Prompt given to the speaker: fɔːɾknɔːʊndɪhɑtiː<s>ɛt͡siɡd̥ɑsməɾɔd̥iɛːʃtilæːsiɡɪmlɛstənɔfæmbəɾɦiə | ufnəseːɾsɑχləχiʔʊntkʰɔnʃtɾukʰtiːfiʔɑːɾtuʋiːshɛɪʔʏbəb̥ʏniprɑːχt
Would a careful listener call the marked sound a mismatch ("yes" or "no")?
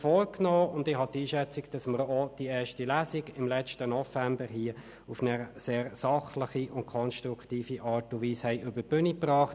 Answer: yes